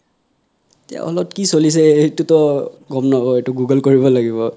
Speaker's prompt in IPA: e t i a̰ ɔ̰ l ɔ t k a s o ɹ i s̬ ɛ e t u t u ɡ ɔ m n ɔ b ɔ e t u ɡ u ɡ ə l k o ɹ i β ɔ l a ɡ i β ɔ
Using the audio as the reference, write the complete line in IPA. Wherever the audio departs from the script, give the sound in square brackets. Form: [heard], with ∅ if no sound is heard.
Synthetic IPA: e t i a̰ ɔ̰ l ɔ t k [i] s o [l] i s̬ ɛ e t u t [ɔ] ɡ ɔ m n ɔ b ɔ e t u ɡ u ɡ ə l k o ɹ i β ɔ l a ɡ i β ɔ